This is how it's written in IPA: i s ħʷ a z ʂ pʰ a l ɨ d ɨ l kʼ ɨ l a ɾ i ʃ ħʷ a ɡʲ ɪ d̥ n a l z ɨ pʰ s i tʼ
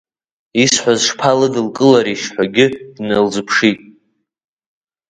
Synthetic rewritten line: i s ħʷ a z ʂ pʰ a l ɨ d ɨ l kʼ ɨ l a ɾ i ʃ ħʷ a ɡʲ ɪ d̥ n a l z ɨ pʰ ʂ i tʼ